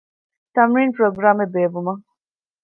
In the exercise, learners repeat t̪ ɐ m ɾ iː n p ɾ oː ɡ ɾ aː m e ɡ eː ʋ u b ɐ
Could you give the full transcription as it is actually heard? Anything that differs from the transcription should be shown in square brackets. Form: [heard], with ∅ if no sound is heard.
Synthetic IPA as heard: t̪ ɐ m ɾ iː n p ɾ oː ɡ ɾ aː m e [b] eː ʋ u [m] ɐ